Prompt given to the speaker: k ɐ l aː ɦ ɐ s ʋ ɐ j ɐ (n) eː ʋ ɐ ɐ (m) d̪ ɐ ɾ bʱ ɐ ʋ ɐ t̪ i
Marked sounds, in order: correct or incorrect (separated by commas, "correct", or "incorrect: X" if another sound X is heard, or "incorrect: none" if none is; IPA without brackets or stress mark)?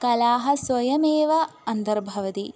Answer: incorrect: m, incorrect: n